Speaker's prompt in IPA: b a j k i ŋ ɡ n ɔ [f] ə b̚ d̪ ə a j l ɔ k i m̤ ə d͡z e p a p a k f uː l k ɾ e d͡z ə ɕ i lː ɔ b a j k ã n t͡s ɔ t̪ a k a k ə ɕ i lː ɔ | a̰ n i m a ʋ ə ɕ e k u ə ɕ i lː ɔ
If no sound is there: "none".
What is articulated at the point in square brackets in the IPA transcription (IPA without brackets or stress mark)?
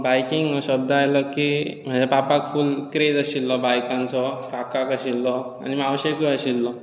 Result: ɕ